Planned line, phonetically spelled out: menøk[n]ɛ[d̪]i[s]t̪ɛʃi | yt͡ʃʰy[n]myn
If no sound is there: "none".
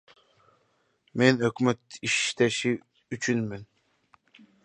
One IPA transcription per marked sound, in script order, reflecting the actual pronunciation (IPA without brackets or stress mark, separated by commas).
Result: m, t̪, ʃ, n